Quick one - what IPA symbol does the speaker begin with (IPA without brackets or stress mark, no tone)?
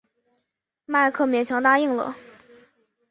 m